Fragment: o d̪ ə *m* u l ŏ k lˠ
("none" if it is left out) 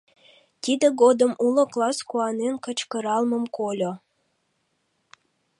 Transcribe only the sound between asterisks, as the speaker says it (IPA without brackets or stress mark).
m